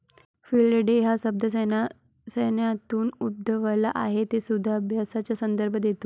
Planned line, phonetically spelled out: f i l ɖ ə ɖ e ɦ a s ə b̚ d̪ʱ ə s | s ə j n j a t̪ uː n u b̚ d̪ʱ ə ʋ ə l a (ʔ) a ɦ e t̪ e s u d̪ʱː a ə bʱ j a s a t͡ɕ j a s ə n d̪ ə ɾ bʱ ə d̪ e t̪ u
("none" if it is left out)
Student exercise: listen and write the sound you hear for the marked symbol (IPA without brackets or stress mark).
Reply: ʔ